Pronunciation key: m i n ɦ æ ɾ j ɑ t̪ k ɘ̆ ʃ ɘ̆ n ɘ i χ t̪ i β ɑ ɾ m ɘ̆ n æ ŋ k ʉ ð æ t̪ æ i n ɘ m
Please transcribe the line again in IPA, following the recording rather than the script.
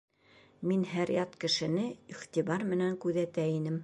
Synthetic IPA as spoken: m i n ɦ æ ɾ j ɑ t̪ k ɘ̆ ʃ ɘ̆ n ɘ i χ t̪ i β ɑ ɾ m ɘ̆ n æ ŋ k ʉ ð æ t̪ æ i n ɘ m